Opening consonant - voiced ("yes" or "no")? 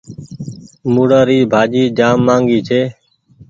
yes